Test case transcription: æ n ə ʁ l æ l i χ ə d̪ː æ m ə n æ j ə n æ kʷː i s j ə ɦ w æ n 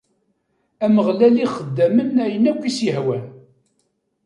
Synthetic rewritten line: æ m ə ʁ l æ l i χ ə d̪ː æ m ə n æ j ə n æ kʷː i s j ə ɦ w æ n